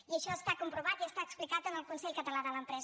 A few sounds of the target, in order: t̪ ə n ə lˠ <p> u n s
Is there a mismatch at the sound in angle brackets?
yes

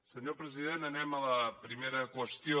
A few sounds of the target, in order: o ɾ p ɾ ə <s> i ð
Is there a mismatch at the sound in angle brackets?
yes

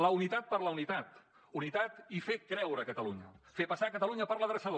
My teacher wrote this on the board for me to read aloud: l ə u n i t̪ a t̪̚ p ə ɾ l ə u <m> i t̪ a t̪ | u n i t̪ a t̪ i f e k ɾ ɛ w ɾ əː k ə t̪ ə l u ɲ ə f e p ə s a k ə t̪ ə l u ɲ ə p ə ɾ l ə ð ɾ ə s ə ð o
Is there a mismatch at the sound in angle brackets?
yes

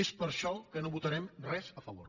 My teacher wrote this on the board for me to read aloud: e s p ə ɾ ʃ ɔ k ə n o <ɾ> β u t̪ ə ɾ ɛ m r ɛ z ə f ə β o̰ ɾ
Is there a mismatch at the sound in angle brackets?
yes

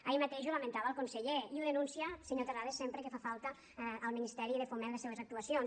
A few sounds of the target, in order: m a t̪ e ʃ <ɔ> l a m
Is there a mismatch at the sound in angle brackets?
yes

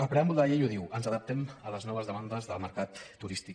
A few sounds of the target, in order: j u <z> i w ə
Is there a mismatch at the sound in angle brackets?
yes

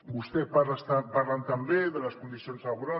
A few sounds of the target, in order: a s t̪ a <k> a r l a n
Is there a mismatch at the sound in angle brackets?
yes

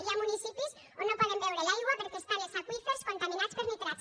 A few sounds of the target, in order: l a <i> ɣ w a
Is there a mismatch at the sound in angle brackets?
yes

